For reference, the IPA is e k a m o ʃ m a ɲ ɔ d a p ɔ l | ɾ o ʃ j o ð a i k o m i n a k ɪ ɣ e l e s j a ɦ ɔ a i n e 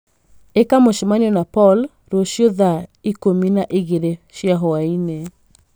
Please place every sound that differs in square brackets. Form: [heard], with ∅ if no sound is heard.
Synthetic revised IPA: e k a m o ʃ m a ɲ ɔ [n] a p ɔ l | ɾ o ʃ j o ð a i k o m i n a [ʔ] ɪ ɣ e [ɾ] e [ʃ] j a ɦ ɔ a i n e